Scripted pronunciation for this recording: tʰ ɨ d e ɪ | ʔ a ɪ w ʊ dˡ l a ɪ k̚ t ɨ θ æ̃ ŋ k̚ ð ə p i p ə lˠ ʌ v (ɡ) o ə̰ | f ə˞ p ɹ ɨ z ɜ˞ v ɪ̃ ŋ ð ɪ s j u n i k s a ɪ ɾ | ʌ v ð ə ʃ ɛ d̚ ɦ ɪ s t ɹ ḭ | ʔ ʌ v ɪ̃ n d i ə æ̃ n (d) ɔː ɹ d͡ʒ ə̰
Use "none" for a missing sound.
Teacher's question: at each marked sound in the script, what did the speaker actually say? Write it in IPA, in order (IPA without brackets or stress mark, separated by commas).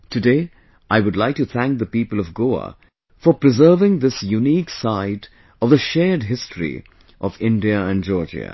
ɡ, d͡ʒ